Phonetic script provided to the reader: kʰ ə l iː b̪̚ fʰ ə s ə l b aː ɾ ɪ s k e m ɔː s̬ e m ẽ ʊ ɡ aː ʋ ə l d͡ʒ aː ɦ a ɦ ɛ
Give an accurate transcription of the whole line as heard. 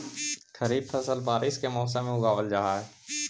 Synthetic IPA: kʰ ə ɾ iː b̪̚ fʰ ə s ə l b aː ɾ ɪ s k e m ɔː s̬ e m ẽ ʊ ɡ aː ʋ ə l d͡ʒ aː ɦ a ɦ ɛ